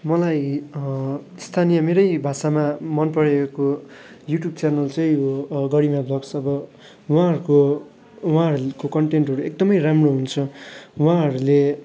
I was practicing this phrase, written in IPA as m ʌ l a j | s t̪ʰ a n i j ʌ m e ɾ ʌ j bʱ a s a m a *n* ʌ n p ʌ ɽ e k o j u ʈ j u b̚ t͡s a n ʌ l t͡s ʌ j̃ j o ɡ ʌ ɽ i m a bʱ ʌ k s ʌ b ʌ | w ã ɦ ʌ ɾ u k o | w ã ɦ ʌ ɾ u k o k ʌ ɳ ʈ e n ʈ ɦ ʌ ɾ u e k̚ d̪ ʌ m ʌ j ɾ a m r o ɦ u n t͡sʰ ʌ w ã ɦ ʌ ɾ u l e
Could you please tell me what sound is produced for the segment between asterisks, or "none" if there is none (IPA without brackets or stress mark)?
m